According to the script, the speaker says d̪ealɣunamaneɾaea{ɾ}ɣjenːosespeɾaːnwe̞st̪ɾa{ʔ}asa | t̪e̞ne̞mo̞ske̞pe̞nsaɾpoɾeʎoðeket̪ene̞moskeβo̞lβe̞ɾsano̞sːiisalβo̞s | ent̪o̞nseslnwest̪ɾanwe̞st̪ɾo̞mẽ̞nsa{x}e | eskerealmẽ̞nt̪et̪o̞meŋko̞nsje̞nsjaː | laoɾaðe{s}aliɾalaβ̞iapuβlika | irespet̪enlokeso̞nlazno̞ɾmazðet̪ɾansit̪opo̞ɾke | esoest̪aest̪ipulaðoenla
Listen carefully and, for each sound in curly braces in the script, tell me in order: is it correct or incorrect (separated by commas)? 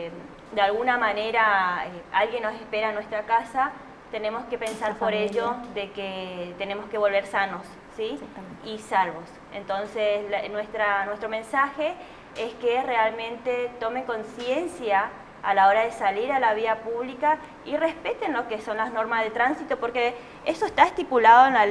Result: incorrect, incorrect, correct, correct